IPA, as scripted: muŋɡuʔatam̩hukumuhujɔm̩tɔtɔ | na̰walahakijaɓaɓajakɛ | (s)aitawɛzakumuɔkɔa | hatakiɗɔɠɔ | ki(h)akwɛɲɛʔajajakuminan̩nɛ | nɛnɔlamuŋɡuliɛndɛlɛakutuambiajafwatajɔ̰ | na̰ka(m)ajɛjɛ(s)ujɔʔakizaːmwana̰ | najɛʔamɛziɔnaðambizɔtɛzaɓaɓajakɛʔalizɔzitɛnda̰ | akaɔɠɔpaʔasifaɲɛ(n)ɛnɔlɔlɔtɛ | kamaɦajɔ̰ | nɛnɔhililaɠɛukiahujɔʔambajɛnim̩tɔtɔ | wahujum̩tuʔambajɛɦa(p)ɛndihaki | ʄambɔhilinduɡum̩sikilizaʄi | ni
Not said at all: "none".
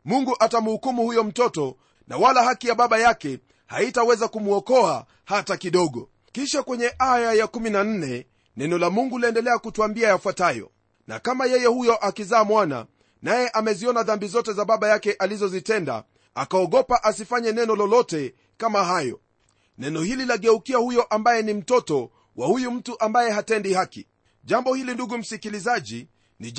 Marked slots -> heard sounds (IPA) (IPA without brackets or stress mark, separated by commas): h, ʃ, m, h, n, t